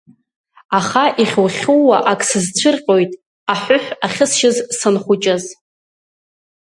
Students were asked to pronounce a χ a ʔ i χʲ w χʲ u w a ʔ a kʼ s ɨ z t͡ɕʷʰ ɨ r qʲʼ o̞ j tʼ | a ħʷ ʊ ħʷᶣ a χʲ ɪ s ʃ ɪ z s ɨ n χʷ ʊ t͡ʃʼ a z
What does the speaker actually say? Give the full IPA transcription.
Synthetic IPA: a χ a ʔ i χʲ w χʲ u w a ʔ a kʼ s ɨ z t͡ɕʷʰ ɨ r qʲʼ o̞ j tʼ | a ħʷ ʊ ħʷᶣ a χʲ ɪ s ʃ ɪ z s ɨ n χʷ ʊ t͡ʃʼ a z